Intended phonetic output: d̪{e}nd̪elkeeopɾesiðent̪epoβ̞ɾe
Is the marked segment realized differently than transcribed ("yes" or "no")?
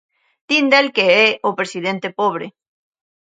yes